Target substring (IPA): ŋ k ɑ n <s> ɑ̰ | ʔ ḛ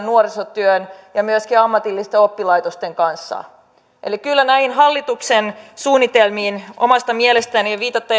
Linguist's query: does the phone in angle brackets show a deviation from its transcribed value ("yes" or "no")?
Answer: yes